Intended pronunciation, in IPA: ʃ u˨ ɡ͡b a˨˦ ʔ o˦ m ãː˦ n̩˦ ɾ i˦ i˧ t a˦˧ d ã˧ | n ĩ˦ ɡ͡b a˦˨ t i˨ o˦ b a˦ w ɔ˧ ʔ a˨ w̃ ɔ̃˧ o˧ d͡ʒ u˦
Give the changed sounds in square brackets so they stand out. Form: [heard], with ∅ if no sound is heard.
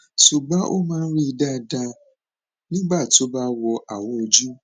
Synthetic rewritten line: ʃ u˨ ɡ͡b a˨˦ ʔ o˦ m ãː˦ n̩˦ ɾ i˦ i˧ [d] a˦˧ d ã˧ | n ĩ˦ ɡ͡b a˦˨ t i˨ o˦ b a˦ w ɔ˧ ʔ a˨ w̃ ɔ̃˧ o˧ d͡ʒ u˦